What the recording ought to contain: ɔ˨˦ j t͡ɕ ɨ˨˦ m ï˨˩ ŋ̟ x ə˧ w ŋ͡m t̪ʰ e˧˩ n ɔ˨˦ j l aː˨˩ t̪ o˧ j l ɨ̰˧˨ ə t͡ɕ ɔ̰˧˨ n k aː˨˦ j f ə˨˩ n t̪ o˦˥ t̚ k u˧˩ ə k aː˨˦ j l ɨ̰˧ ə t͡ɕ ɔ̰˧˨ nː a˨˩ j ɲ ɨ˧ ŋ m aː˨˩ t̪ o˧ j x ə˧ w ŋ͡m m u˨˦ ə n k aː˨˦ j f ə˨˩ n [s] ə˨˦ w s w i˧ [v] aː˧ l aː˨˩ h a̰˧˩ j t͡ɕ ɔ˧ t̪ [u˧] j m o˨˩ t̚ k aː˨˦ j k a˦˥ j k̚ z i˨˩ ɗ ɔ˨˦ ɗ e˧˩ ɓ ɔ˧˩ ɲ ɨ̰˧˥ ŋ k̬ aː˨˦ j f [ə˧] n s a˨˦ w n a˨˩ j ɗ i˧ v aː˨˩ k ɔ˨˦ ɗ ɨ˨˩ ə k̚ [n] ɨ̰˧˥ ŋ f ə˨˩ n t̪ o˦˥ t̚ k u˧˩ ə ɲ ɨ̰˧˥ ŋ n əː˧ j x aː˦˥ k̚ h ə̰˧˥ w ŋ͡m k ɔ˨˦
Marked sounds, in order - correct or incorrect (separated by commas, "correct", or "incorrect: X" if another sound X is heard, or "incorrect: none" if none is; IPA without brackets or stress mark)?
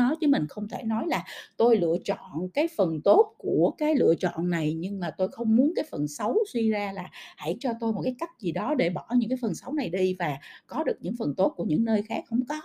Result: correct, incorrect: z, incorrect: o˧, incorrect: ə˨˩, incorrect: ɲ